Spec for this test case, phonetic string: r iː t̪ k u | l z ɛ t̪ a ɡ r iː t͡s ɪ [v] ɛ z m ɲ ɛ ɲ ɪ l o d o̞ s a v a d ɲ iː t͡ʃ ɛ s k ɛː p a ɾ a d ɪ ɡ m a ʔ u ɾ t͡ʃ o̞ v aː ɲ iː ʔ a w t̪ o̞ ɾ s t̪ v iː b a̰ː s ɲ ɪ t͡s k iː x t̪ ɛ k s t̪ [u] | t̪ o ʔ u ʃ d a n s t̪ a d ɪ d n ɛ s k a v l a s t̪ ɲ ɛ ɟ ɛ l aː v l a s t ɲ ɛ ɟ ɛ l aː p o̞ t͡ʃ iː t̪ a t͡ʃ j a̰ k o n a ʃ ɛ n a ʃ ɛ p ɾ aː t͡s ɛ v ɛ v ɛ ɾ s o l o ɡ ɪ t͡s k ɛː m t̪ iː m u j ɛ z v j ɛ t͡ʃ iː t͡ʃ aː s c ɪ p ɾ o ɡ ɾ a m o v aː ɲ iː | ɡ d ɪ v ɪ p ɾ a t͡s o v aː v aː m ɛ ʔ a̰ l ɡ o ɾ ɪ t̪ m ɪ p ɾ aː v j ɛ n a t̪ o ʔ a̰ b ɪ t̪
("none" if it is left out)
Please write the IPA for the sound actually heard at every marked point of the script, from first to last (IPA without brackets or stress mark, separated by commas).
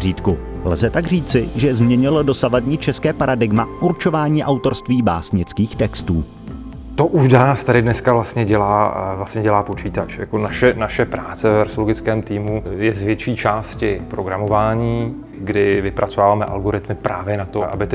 ʒ, uː